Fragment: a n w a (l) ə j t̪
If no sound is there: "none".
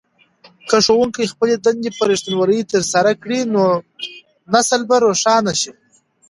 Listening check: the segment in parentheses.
ɾ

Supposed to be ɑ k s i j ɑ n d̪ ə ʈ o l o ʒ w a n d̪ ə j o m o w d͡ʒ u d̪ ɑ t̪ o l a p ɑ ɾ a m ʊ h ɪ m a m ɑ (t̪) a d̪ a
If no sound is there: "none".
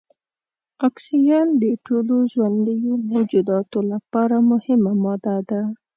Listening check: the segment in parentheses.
d̪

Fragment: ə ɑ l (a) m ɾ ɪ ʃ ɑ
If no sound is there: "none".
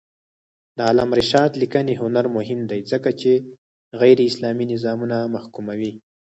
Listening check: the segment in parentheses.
a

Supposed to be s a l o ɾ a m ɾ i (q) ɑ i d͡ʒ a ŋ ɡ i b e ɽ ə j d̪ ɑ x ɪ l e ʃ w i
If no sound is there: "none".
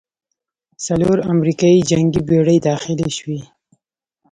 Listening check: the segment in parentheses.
k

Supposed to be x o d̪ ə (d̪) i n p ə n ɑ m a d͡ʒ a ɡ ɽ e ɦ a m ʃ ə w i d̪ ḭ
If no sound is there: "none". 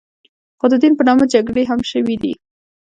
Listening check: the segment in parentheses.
d̪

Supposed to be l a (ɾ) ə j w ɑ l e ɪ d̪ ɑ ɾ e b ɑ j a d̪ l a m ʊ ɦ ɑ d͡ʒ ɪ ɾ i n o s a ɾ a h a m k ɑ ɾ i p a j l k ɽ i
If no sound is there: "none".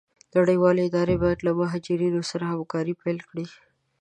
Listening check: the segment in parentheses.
ɽ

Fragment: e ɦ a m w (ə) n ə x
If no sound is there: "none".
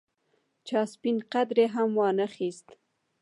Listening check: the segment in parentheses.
ɑ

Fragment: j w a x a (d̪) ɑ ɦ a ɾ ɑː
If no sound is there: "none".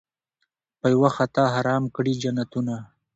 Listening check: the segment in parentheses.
t̪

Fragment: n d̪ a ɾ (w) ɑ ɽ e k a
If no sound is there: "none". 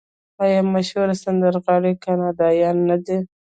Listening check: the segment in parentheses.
ɣ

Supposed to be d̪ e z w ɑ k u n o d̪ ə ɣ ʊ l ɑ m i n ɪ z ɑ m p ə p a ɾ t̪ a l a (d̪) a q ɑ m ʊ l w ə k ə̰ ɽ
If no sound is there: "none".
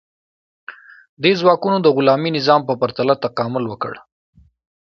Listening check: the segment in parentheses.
t̪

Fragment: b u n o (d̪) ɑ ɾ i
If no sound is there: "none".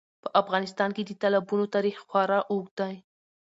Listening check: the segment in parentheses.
t̪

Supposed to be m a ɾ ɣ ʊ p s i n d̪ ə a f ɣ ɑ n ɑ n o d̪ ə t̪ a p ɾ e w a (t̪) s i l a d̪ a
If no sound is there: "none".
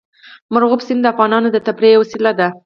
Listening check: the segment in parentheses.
none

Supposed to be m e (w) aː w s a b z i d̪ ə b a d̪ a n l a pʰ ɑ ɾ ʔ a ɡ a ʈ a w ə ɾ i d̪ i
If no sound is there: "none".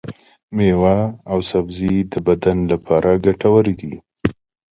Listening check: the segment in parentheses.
w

